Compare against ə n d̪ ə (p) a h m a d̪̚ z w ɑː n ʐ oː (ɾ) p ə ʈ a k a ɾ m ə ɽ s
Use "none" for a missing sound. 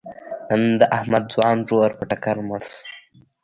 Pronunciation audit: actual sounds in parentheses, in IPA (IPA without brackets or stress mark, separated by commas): ʔ, ɾ